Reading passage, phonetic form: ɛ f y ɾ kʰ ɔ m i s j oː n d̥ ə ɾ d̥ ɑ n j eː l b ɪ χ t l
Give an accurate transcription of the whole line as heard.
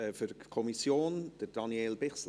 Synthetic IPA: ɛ f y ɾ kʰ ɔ m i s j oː n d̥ ə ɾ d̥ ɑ n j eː l b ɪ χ s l